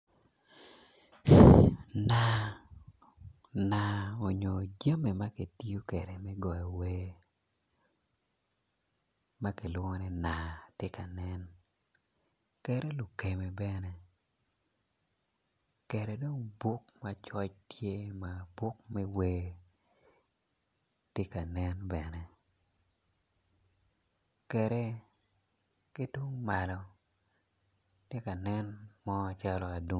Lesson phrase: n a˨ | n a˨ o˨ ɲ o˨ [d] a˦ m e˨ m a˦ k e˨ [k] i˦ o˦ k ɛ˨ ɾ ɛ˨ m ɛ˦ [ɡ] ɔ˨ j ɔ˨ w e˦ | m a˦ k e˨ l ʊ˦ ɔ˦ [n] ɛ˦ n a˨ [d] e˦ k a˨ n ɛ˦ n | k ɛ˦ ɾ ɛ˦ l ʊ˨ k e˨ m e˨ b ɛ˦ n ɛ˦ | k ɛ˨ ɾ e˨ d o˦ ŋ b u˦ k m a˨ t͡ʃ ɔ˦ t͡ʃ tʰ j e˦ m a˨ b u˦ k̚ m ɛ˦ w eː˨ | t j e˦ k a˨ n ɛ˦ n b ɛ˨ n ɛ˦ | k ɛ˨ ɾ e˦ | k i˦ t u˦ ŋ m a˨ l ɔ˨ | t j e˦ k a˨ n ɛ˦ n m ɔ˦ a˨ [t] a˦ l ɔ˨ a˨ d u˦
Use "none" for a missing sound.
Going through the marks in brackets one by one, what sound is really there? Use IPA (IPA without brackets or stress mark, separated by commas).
d͡ʒ, t, ɡ, n, t, t͡ʃ